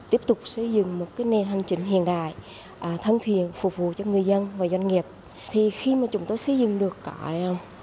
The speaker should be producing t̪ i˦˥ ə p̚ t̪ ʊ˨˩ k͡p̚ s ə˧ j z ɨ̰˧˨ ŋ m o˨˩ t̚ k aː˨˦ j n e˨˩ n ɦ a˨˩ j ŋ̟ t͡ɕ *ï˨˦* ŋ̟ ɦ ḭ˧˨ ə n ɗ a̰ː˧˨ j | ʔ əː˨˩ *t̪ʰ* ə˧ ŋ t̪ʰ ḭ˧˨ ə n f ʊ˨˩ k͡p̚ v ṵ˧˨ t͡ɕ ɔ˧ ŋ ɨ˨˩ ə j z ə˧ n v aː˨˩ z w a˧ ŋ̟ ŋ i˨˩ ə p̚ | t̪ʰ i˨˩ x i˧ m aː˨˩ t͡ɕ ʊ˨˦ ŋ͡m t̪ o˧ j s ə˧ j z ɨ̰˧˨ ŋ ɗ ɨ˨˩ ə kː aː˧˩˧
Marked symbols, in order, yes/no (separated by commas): no, yes